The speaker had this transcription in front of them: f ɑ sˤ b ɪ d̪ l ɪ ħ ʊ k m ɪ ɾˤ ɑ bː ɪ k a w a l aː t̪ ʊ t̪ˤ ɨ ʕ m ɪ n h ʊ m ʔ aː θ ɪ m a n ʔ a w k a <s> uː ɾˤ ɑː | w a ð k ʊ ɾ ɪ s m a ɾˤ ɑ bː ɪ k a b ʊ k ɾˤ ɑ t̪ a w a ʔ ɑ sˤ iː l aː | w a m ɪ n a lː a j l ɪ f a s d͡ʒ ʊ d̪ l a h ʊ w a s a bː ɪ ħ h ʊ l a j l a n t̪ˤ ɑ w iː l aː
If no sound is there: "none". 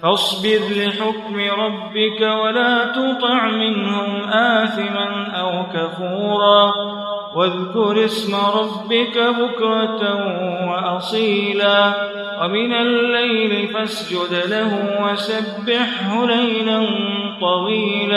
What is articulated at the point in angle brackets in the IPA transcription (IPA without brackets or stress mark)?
f